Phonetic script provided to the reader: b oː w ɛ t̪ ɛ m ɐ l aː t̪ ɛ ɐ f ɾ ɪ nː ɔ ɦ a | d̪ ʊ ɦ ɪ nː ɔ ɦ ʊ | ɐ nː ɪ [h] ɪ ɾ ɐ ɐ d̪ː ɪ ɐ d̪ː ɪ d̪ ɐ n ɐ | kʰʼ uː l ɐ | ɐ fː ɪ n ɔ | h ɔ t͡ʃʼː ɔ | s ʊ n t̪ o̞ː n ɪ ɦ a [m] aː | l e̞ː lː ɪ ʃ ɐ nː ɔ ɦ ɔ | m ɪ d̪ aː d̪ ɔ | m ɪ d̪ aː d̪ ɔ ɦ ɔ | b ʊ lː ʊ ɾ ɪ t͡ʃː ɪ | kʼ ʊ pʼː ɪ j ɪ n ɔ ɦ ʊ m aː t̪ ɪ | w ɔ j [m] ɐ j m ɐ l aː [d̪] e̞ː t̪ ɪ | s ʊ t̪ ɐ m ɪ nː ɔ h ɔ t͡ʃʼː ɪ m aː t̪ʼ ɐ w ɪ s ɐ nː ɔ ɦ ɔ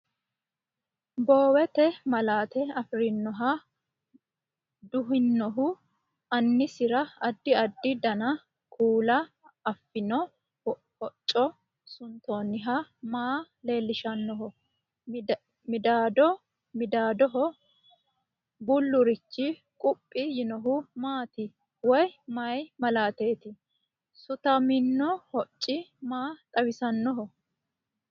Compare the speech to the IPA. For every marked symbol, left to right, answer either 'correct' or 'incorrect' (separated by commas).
incorrect, correct, correct, incorrect